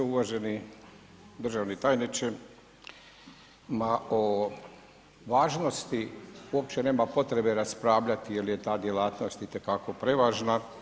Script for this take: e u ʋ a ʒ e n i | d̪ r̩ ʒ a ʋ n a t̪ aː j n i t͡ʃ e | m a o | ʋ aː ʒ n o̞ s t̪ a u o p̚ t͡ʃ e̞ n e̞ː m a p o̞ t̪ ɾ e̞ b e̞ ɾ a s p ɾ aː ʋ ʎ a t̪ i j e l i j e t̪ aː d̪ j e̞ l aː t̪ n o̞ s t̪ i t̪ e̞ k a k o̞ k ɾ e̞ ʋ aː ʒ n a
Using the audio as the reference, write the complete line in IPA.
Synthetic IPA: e u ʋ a ʒ e n i | d̪ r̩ ʒ a ʋ n i t̪ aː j n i t͡ʃ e | m a o | ʋ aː ʒ n o̞ s t̪ i u o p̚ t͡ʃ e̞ n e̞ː m a p o̞ t̪ ɾ e̞ b e̞ ɾ a s p ɾ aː ʋ ʎ a t̪ i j e l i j e t̪ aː d̪ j e̞ l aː t̪ n o̞ s t̪ i t̪ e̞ k a k o̞ p ɾ e̞ ʋ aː ʒ n a

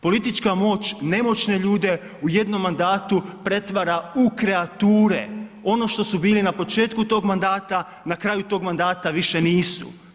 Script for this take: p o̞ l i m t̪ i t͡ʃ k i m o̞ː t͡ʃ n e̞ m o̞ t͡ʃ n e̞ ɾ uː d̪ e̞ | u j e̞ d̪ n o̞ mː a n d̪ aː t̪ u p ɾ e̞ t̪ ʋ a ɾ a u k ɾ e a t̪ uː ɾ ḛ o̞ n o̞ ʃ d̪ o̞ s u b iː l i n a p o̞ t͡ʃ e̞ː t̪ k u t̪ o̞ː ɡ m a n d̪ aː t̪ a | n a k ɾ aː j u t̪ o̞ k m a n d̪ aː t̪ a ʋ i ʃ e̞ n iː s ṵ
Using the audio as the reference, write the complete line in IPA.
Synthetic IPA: p o̞ l i t̪ i t͡ʃ k a m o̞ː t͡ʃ n e̞ m o̞ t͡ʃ n e̞ ʎ uː d̪ e̞ | u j e̞ d̪ n o̞ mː a n d̪ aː t̪ u p ɾ e̞ t̪ ʋ a ɾ a u k ɾ e a t̪ uː ɾ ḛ o̞ n o̞ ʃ t̪ o̞ s u b iː l i n a p o̞ t͡ʃ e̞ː t̪ k u t̪ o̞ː ɡ m a n d̪ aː t̪ a | n a k ɾ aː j u t̪ o̞ ɡ m a n d̪ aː t̪ a ʋ i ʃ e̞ n iː s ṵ

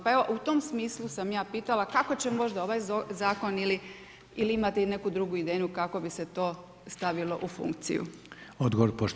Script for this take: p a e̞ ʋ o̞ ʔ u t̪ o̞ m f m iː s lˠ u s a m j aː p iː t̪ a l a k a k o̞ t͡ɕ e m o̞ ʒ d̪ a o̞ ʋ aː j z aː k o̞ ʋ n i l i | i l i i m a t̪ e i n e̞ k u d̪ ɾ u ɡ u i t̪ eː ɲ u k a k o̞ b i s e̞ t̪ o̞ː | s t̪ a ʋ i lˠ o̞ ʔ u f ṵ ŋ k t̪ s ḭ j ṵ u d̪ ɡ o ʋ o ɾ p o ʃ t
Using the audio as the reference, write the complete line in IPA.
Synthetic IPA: p a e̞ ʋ o̞ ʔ u t̪ o̞ m s m iː s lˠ u s a m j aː p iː t̪ a l a k a k o̞ t͡ɕ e m o̞ ʒ d̪ a o̞ ʋ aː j z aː k o̞ n i l i | i l i i m a t̪ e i n e̞ k u d̪ ɾ u ɡ u i d̪ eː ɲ u k a k o̞ b i s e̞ t̪ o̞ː | s t̪ a ʋ i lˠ o̞ ʔ u f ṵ ŋ k t̪ s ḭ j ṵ o d̪ ɡ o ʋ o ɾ p o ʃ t

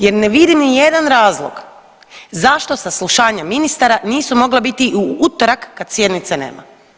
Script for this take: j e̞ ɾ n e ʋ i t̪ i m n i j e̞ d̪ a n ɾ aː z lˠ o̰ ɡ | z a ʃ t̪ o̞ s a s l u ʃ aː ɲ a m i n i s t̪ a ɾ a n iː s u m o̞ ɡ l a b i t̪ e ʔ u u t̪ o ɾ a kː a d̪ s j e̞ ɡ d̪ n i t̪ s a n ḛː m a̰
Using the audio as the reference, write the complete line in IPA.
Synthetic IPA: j e̞ ɾ n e ʋ i d̪ i m n i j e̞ d̪ a n ɾ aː z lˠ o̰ ɡ | z a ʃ t̪ o̞ s a s l u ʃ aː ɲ a m i n i s t̪ a ɾ a n iː s u m o̞ ɡ l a b i t̪ i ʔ u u t̪ o ɾ a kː a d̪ s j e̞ d̪ n i t̪ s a n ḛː m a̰

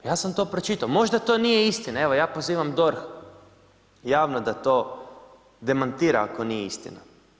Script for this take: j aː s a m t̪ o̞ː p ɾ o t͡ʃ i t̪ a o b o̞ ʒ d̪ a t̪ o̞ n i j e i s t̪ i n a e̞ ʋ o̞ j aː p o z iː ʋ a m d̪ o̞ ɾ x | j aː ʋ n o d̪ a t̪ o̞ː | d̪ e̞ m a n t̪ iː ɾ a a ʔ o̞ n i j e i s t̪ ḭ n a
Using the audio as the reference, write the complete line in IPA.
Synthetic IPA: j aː s a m t̪ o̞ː p ɾ o t͡ʃ i t̪ a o m o̞ ʒ d̪ a t̪ o̞ n i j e i s t̪ i n a e̞ ʋ o̞ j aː p o z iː ʋ a m d̪ o̞ ɾ x | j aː ʋ n o d̪ a t̪ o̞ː | d̪ e̞ m a n t̪ iː ɾ a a k o̞ n i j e i s t̪ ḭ n a

